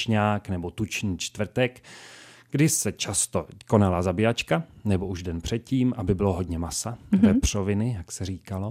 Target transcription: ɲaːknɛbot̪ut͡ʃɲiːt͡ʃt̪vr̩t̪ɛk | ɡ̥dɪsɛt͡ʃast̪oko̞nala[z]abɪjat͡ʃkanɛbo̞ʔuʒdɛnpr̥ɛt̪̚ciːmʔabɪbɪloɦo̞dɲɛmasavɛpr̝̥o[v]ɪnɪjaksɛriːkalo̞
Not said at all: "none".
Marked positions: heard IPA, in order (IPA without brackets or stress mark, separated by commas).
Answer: z, v